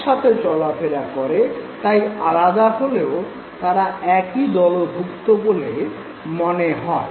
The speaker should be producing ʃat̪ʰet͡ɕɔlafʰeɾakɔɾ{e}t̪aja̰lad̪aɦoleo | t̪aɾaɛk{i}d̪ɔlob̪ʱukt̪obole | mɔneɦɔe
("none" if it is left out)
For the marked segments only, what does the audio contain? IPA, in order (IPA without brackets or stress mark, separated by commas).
e, i